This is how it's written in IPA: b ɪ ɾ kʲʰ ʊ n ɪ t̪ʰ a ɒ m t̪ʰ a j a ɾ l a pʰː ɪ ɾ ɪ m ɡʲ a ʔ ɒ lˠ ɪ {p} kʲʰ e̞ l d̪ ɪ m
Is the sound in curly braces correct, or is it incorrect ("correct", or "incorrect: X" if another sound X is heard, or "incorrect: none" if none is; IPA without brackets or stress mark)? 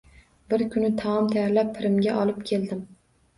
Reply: correct